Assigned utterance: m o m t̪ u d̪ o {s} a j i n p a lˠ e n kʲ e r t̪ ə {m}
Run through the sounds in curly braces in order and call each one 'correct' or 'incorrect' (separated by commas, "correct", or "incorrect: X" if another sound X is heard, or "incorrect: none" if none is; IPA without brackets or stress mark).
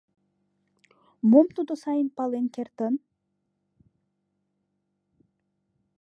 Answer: correct, incorrect: n